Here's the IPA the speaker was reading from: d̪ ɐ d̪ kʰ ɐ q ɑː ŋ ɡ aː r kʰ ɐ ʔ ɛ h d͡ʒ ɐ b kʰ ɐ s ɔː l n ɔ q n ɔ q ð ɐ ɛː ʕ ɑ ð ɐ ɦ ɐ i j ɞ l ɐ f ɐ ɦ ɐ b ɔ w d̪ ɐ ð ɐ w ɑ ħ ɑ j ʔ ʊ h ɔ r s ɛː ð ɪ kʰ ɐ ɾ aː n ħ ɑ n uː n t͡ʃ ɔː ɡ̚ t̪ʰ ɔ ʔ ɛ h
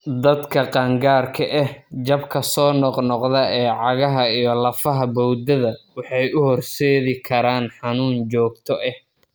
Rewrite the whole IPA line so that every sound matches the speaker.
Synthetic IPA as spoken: d̪ ɐ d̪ kʰ ɐ q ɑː ŋ ɡ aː r kʰ ɐ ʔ ɛ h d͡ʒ ɐ b kʰ ɐ s ɔː n ɔ q n ɔ q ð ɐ ɛː ʕ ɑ ɣ ɐ ɦ ɐ i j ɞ l ɐ f ɐ ɦ ɐ b ɔ w d̪ ɐ ð ɐ w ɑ ħ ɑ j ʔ ʊ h ɔ r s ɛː ð ɪ kʰ ɐ ɾ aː n ħ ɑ n uː n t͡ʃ ɔː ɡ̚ t̪ʰ ɔ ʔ ɛ h

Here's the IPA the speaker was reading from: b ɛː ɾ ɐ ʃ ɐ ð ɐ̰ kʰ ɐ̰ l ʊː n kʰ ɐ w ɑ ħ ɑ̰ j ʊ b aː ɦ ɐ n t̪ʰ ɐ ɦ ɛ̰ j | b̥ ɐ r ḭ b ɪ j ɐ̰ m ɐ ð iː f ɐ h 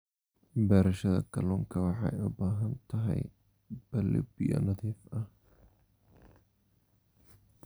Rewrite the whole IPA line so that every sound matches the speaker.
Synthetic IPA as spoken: b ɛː ɾ ɐ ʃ ɐ ð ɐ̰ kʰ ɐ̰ l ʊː ŋ kʰ ɐ w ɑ ħ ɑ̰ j ʊ b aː ɦ ɐ n t̪ʰ ɐ ɦ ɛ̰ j | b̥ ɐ l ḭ b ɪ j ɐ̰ n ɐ ð iː f ɐ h

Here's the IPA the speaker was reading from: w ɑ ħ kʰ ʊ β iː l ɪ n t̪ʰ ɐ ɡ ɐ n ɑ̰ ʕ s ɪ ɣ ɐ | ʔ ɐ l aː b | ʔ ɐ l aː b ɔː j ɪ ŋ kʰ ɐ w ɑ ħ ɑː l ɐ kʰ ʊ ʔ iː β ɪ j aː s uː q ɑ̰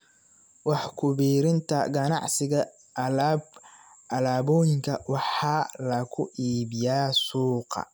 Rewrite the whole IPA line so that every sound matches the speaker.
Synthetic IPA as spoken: w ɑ ħ kʰ ʊ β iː ɾ ɪ n t̪ʰ ɐ ɡ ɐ n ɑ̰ ʕ s ɪ ɣ ɐ | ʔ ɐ l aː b | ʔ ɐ l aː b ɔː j ɪ ŋ kʰ ɐ w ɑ ħ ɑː l ɐ kʰ ʊ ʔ iː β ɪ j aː s uː q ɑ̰

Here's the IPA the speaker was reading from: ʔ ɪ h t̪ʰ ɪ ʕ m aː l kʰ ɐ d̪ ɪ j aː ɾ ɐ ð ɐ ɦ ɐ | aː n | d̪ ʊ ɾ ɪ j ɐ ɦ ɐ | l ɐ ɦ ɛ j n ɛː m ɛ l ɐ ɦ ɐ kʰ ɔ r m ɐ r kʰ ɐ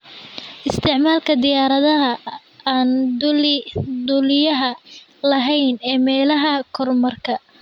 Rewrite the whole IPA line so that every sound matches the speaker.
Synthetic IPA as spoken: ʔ ɪ s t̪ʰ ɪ ʕ m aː l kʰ ɐ d̪ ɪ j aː ɾ ɐ ð ɐ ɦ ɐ | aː n | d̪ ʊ l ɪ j ɐ ɦ ɐ | l ɐ ɦ ɛ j n ɛː m ɛː l ɐ ɦ ɐ kʰ ɔ r m ɐ r kʰ ɐ

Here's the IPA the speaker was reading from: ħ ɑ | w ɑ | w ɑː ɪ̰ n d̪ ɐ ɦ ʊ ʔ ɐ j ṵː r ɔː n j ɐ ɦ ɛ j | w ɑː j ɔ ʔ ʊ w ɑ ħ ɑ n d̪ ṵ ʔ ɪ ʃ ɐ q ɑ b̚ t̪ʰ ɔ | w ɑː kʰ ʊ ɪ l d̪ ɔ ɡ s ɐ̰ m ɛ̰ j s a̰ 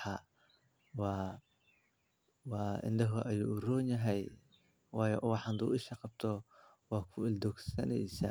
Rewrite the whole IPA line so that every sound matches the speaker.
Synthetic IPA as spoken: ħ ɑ | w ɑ | w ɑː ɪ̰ n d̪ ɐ ɦ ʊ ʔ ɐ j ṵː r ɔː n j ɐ ɦ ɛ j | w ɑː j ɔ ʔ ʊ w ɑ ħ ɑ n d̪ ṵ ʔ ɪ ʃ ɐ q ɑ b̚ t̪ʰ ɔ | w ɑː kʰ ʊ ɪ l d̪ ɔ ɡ s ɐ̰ n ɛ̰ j s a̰

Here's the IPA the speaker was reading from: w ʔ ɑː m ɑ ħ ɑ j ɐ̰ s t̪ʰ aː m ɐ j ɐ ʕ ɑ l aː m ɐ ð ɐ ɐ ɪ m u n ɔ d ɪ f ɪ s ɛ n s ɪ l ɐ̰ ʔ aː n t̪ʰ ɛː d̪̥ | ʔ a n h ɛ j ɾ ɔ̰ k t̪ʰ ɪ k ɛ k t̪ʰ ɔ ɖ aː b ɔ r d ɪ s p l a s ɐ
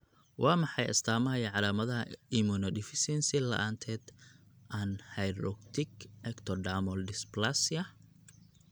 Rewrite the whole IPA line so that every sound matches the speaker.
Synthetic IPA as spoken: w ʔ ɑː m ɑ ħ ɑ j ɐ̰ s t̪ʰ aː m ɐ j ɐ ʕ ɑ l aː m ɐ ð ɐ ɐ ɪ m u n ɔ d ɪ f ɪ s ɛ n s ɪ l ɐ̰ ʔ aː n t̪ʰ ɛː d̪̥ | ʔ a n h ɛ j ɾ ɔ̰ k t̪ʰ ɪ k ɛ k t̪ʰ ɔ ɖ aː m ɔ l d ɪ s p l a s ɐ

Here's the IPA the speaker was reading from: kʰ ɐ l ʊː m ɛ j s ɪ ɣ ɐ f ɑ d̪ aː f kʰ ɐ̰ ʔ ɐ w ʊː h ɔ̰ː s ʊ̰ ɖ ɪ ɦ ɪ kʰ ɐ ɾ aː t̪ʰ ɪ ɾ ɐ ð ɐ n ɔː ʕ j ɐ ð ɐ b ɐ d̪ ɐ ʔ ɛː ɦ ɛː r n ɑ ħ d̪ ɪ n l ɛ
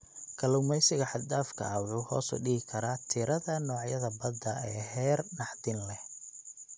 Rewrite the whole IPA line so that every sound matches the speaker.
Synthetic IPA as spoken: kʰ ɐ l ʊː m ɛ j s ɪ ɣ ɐ ħ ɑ d̪ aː f kʰ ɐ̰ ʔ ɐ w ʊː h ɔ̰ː s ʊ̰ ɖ ɪ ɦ ɪ kʰ ɐ ɾ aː t̪ʰ ɪ ɾ ɐ ð ɐ n ɔː ʕ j ɐ ð ɐ b ɐ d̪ ɐ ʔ ɛː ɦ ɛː r n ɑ ħ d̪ ɪ n l ɛ

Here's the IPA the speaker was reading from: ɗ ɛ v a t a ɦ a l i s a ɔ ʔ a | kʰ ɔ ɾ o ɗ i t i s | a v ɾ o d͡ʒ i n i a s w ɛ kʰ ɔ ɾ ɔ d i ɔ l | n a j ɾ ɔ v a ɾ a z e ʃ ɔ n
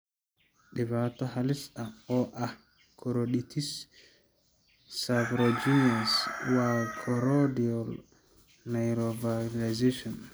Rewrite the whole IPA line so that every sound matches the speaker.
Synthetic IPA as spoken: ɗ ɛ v a t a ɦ a l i s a ɔ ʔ a | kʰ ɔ ɾ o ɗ i t i s | a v ɾ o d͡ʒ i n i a s w a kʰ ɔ ɾ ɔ d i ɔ l | n a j ɾ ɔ v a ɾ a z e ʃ ɔ n

